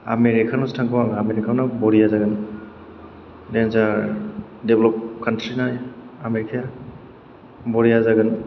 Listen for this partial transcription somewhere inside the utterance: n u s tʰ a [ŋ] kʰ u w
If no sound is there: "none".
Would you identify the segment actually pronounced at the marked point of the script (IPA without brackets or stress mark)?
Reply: ŋ